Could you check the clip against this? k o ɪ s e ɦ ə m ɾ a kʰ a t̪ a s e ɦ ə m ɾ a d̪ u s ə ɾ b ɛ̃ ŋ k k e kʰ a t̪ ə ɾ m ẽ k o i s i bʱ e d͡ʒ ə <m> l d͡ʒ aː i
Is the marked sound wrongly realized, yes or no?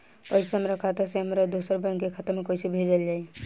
yes